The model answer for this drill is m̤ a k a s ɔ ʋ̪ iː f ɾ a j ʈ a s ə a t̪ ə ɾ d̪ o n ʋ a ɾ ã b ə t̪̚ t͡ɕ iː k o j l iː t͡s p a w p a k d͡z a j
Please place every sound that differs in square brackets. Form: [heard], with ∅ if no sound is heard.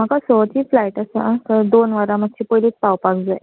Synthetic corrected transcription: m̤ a k a s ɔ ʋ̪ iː f [l] a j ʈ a s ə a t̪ ə ɾ d̪ o n ʋ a ɾ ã [m] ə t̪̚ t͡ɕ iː [p] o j l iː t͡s p a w p a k d͡z a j